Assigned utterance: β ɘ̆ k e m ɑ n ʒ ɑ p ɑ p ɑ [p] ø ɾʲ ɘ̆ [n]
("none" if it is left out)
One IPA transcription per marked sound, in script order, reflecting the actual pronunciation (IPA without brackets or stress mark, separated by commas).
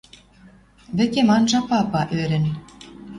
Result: ʔ, n